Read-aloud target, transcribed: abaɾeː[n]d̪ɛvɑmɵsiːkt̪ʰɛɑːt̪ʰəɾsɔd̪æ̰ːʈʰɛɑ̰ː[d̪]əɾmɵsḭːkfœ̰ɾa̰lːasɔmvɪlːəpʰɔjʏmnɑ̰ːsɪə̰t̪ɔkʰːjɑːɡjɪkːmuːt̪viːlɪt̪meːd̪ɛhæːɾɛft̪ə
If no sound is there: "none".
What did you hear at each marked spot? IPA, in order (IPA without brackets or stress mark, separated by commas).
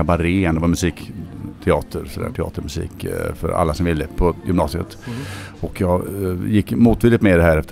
n, t̪